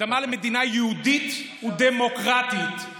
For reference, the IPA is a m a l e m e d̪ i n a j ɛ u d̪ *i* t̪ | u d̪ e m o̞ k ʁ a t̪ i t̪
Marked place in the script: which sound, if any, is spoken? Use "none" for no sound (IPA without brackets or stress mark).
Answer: i